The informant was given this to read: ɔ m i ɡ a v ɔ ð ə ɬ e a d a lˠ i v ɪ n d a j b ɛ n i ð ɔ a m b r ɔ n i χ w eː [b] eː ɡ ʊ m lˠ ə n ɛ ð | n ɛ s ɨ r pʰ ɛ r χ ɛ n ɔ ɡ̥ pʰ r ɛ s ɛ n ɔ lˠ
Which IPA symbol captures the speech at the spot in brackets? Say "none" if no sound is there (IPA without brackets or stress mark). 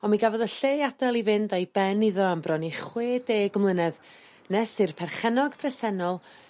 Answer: d